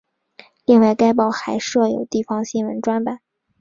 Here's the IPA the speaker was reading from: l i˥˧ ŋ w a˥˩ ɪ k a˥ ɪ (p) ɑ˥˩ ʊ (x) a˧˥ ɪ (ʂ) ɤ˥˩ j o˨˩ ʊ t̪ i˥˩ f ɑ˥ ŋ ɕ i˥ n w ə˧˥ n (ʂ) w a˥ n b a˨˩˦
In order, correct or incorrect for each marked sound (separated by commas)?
correct, correct, correct, incorrect